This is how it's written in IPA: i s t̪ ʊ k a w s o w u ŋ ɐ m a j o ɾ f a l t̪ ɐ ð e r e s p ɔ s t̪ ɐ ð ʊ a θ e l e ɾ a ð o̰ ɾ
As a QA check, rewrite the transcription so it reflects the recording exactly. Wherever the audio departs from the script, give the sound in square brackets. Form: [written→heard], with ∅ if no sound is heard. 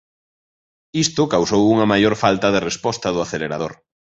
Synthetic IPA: i s t̪ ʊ k a w s o w u ŋ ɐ m a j o ɾ f a l t̪ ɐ ð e r e s p ɔ s t̪ ɐ ð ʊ a θ e l e ɾ a ð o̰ ɾ